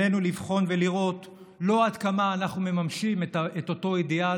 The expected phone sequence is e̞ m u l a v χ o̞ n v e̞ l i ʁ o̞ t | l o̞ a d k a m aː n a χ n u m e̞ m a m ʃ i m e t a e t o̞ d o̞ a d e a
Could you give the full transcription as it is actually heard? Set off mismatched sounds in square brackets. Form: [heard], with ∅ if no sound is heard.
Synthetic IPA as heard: e̞ [n] u l [i] v χ o̞ n v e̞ l i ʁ o̞ t | l o̞ a d k a m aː n a χ n u m e̞ m a m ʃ i m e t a e t o̞ [t] o̞ [i] d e a